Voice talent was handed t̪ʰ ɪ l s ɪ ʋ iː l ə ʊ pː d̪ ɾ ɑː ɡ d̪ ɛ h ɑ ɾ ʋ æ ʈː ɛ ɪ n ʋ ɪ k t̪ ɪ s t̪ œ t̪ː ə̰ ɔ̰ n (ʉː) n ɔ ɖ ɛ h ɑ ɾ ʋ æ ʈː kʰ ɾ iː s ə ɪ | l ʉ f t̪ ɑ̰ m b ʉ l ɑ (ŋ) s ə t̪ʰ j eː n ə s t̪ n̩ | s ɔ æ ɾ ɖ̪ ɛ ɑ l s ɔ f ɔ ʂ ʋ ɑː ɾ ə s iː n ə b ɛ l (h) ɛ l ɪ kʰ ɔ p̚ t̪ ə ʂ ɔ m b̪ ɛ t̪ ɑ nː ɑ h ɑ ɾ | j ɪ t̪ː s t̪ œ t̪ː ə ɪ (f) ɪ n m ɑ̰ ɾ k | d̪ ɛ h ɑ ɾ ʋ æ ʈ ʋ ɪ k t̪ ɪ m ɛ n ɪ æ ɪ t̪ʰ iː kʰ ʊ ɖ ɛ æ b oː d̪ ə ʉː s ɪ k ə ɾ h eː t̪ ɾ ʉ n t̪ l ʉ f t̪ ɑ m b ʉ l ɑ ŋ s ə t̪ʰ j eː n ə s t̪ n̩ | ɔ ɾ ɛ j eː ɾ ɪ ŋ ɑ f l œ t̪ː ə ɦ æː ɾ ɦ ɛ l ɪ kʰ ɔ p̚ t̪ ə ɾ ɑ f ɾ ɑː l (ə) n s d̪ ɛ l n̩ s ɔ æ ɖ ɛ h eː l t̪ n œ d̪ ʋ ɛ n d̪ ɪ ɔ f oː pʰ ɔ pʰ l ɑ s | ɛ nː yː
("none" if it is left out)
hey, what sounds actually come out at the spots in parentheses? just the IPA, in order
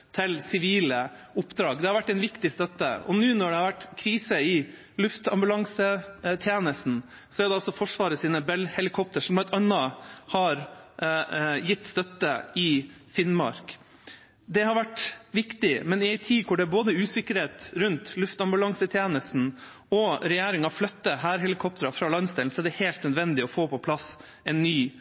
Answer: ʉː, ŋ, h, f, ɑ

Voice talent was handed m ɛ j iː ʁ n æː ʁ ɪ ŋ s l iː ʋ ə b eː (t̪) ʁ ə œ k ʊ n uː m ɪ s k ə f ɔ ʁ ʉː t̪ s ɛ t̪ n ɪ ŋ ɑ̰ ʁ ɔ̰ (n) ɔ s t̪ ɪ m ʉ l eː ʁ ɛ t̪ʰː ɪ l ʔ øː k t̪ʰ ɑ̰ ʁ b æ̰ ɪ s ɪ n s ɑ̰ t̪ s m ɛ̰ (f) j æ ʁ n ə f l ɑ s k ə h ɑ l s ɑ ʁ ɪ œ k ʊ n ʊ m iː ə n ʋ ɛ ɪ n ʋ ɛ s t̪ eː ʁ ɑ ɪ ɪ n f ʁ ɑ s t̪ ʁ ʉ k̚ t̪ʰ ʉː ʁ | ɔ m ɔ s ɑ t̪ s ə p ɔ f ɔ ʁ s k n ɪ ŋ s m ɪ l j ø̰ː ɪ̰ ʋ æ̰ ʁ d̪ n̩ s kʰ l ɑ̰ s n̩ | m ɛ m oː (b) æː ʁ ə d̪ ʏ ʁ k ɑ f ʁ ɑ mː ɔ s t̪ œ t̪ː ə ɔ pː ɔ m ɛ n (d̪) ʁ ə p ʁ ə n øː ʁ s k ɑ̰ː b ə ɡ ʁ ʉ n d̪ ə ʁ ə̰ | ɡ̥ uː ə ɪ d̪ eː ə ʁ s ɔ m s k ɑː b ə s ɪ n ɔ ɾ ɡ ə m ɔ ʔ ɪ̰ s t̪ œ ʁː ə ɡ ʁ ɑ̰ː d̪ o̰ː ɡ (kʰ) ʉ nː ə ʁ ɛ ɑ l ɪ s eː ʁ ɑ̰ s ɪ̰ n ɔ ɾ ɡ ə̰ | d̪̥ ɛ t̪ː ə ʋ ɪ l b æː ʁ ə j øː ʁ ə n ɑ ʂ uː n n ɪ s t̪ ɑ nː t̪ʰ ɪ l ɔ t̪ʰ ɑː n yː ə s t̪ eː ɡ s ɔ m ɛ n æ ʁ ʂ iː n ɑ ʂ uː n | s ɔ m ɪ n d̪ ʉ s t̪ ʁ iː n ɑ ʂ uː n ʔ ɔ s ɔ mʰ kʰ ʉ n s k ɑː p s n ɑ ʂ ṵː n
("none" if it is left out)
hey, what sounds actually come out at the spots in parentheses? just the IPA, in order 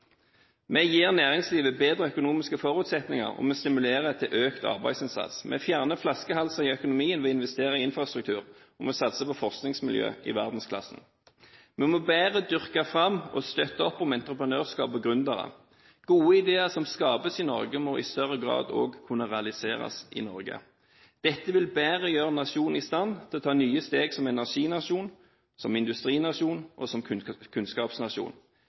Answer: d̪, m, f, b, t̪, kʰ

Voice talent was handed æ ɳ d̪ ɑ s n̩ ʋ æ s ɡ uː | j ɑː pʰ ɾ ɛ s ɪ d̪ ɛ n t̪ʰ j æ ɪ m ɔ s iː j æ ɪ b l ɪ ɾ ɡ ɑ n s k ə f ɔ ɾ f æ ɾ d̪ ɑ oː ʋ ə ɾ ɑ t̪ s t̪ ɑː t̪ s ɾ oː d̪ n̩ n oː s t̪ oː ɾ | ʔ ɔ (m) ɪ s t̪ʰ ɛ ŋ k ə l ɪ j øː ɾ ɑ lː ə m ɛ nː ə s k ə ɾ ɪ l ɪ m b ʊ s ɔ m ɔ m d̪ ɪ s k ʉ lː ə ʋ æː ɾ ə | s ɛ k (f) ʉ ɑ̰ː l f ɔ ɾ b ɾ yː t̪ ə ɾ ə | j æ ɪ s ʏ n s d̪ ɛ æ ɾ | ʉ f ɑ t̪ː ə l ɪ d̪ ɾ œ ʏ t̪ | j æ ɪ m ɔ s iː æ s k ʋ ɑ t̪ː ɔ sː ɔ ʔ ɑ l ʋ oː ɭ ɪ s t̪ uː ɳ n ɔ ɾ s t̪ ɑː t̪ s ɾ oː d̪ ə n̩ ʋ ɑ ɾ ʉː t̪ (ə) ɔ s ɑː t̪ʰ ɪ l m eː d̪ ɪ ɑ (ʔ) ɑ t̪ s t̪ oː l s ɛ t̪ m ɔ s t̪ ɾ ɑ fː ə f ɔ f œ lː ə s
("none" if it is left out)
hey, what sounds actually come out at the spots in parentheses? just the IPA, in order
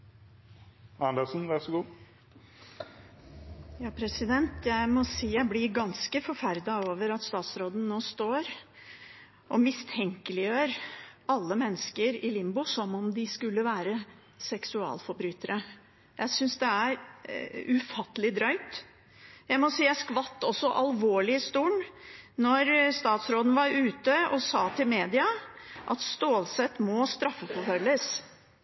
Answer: m, s, ə, ʔ

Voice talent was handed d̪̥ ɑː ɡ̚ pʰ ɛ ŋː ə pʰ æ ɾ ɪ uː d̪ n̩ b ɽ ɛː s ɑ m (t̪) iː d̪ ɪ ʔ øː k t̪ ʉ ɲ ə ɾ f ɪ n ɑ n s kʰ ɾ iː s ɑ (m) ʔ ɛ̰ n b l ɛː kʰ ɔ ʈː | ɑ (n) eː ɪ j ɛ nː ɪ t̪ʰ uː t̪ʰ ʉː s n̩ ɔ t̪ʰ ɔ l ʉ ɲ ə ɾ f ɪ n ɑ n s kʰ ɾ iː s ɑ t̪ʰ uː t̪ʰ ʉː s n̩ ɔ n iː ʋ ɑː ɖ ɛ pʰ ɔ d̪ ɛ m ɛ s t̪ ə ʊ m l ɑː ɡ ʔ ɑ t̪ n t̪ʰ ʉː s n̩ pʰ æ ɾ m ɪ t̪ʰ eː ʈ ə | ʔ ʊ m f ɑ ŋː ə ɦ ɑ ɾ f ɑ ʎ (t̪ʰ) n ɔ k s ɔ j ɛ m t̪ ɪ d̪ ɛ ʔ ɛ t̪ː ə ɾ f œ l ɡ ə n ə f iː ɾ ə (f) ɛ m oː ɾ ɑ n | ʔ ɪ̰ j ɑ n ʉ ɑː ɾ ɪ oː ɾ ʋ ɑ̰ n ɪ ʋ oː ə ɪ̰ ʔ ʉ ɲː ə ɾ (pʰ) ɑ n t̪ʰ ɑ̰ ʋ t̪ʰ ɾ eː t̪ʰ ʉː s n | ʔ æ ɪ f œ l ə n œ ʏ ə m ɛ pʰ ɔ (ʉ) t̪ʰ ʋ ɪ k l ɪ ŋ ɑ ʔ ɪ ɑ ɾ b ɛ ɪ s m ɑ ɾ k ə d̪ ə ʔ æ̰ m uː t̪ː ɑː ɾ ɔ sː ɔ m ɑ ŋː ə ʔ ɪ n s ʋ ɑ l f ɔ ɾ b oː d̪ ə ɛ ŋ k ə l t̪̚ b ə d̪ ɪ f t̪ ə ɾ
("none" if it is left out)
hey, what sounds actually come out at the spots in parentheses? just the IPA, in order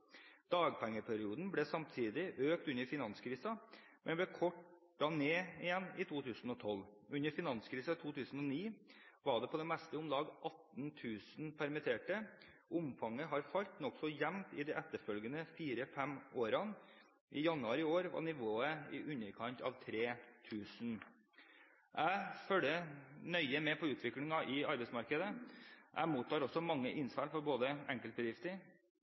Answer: t̪ʰ, m, n, t̪, f, kʰ, ʉː

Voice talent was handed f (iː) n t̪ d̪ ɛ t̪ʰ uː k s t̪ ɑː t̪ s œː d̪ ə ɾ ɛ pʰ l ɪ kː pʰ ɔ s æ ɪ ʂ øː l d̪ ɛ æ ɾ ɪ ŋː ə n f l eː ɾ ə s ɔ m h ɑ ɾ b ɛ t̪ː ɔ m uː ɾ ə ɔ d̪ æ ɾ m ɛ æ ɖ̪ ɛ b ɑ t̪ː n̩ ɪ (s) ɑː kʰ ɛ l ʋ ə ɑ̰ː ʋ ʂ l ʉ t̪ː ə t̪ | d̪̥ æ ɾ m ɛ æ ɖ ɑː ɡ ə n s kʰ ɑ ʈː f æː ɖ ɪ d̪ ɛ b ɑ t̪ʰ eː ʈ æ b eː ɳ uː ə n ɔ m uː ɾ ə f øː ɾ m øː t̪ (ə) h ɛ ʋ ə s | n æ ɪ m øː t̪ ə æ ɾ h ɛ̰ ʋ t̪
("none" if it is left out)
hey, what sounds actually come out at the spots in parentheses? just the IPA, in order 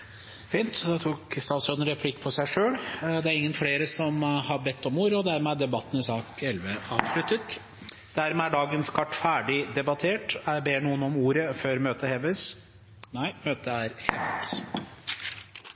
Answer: iː, s, ə

